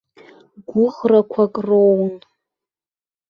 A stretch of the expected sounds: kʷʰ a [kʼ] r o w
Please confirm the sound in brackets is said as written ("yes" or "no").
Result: yes